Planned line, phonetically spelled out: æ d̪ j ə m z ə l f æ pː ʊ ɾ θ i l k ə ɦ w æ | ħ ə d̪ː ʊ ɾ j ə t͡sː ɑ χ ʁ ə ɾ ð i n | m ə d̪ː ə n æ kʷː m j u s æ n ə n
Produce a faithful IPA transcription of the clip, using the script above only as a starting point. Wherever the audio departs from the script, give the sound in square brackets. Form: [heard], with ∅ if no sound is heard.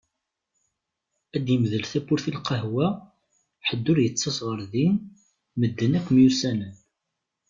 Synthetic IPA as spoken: æ d̪ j ə m [ð] ə l [θ] æ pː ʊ ɾ θ i l [q] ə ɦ w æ | ħ ə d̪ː ʊ ɾ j ə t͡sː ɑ [s] ʁ ə ɾ ð i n | m ə d̪ː ə n æ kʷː m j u s æ n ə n

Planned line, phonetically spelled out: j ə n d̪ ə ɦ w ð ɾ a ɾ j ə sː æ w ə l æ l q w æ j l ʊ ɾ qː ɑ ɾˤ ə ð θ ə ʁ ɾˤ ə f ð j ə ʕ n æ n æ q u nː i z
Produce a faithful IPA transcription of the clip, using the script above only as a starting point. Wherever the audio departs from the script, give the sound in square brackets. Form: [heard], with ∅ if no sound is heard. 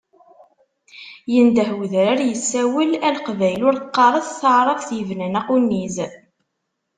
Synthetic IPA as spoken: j ə n d̪ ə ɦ w ð ɾ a ɾ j ə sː æ w ə l æ l q [v] æ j l ʊ ɾ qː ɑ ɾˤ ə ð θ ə [ʕ] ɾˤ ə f [θ] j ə [v] n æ n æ q u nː i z

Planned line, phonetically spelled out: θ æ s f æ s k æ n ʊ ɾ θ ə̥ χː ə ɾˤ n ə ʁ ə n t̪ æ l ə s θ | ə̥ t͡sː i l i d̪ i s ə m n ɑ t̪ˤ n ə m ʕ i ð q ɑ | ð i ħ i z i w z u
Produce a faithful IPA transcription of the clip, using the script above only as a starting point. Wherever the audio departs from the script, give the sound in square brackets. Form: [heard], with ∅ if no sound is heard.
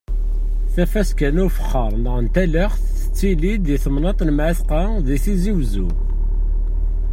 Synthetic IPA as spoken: θ æ [∅] f æ s k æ n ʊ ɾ [f] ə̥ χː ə ɾˤ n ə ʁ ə n t̪ æ l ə [χ] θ | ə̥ t͡sː i l i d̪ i [θ] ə m n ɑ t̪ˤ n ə m ʕ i [θ] q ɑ | ð i [θ] i z i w z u

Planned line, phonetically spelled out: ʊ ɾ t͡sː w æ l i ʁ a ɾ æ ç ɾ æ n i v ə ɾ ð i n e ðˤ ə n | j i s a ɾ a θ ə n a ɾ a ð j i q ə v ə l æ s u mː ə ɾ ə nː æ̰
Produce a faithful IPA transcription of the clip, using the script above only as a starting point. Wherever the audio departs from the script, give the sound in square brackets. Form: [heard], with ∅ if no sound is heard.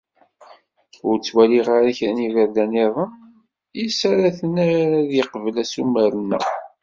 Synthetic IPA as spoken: ʊ ɾ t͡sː w æ l i ʁ a ɾ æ ç ɾ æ n i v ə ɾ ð [æ] n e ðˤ ə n | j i s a ɾ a θ ə n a ɾ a ð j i q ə v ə l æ s u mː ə ɾ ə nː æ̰

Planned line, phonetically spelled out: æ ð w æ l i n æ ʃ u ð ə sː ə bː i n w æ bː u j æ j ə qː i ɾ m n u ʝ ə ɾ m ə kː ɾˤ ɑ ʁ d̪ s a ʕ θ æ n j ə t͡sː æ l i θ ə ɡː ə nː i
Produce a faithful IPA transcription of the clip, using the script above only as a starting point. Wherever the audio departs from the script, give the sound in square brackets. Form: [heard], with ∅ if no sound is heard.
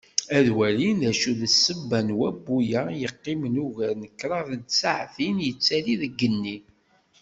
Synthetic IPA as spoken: æ ð w æ l i n æ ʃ u ð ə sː ə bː [æ] n w æ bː u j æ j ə qː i [∅] m n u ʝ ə ɾ [n] ə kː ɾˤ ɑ [ð] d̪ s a ʕ θ [i] n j ə t͡sː æ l i [ð] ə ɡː ə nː i

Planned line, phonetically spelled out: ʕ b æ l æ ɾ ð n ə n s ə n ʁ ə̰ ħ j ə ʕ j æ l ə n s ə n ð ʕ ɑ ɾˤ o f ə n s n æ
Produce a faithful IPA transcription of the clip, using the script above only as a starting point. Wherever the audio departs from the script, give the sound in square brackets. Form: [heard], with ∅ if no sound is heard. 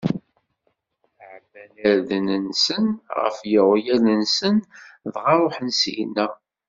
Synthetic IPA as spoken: ʕ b æ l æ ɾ ð n ə n s ə n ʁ ə̰ [f] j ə [ʁ] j æ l ə n s ə n ð [ʁ] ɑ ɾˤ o [ħ] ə n s n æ

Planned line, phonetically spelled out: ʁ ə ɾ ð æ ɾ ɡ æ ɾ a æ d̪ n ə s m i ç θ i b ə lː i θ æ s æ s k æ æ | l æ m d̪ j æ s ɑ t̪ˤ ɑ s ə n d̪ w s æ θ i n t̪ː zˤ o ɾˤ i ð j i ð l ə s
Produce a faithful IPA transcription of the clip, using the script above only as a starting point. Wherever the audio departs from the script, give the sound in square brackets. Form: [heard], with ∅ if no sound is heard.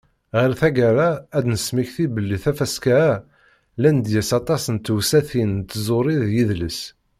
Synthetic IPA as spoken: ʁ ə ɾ [θ] æ [∅] ɡ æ ɾ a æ d̪ n ə s m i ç θ i b ə lː i θ æ [f] æ s k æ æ | l æ [n] d̪ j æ s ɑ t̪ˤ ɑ s ə n [t̪] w s æ θ i n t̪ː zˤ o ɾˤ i ð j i ð l ə s

